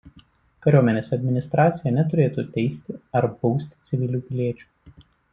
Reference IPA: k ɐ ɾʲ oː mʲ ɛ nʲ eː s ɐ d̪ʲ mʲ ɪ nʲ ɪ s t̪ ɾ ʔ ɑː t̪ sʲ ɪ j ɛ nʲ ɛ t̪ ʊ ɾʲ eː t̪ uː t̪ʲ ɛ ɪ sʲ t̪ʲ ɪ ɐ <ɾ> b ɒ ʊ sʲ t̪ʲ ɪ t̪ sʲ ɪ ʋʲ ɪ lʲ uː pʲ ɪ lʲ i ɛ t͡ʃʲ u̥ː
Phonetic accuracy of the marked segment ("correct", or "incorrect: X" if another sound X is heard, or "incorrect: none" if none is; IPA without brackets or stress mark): correct